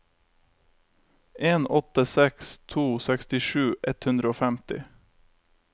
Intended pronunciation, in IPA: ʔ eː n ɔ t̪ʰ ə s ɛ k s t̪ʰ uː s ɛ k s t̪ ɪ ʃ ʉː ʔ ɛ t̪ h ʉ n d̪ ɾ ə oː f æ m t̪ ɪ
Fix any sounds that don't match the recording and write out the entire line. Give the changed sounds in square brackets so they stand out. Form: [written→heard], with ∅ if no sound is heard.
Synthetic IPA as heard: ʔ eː n ɔ [t̪ʰ→t̪] ə s ɛ k s t̪ʰ uː s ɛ k s t̪ ɪ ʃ ʉː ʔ ɛ t̪ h ʉ n d̪ ɾ ə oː f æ m t̪ ɪ

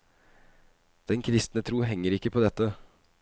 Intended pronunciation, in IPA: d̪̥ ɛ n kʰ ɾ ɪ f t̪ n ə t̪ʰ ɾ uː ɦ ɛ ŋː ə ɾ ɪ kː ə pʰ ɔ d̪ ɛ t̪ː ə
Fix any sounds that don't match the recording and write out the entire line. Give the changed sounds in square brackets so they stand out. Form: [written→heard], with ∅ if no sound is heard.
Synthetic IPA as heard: d̪̥ ɛ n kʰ ɾ ɪ [f→s] t̪ n ə t̪ʰ ɾ uː ɦ ɛ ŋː ə ɾ ɪ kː ə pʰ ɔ d̪ ɛ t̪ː ə

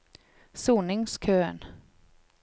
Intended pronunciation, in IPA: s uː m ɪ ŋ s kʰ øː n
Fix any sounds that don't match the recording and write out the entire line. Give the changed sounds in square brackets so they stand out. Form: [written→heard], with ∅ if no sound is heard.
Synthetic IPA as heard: s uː [m→n] ɪ ŋ s kʰ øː n

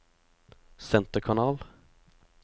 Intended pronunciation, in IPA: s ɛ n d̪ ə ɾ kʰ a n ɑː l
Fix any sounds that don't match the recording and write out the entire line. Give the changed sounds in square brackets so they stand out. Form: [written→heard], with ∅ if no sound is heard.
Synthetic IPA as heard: s ɛ n [d̪→t̪] ə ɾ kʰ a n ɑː l

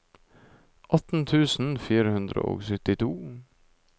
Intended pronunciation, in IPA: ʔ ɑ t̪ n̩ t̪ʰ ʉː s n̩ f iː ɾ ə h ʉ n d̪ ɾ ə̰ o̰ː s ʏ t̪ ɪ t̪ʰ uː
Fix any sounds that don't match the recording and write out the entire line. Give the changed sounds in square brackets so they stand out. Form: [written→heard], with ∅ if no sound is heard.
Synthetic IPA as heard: ʔ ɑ t̪ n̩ t̪ʰ ʉː s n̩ f iː ɾ ə h ʉ n d̪ ɾ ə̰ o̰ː s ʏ t̪ ɪ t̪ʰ uː

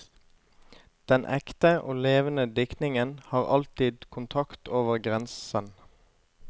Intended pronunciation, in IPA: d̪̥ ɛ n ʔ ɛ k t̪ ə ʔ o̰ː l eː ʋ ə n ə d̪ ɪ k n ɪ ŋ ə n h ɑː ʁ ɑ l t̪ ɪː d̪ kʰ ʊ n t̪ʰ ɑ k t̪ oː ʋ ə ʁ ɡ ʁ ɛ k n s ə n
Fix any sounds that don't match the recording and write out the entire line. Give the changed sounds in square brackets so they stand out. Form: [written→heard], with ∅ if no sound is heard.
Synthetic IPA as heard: d̪̥ ɛ n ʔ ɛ k t̪ ə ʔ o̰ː l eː ʋ ə n ə d̪ ɪ k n ɪ ŋ ə n h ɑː ʁ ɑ l t̪ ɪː d̪ kʰ ʊ n t̪ʰ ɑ k t̪ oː ʋ ə ʁ ɡ ʁ ɛ [k→∅] n s ə n

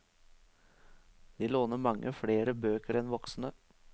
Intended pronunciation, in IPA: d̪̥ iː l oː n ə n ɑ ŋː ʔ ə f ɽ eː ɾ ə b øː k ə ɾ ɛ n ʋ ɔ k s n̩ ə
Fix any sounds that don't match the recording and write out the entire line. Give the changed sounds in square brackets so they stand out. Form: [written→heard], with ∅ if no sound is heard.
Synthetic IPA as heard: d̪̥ iː l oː n ə [n→m] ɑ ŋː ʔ ə f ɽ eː ɾ ə b øː k ə ɾ ɛ n ʋ ɔ k s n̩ ə

